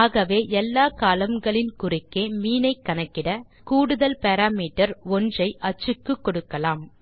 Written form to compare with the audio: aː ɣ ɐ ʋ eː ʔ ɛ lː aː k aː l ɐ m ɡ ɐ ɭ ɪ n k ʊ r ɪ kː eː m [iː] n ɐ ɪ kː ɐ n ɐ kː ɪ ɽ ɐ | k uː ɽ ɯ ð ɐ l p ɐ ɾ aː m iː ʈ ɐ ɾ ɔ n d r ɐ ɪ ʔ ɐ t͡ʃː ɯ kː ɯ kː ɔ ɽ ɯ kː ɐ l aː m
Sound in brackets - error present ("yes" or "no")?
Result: no